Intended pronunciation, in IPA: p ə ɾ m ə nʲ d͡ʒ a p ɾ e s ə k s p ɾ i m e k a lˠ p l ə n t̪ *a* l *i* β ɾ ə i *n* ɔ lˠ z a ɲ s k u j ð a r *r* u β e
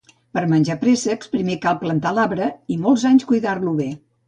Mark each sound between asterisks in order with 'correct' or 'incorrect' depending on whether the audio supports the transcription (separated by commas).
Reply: correct, incorrect, incorrect, incorrect